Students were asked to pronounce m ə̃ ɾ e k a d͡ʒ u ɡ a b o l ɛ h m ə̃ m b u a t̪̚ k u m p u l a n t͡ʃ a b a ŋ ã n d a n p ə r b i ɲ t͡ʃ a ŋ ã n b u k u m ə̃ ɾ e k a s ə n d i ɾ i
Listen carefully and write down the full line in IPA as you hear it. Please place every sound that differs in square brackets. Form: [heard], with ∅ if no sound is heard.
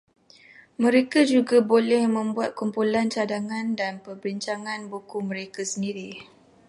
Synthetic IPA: m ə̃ ɾ e k a d͡ʒ u ɡ a b o l ɛ h m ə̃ m b u a t̪̚ k u m p u l a n t͡ʃ a [d] a ŋ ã n d a n p ə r b i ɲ t͡ʃ a ŋ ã n b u k u m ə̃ ɾ e k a s ə n d i ɾ i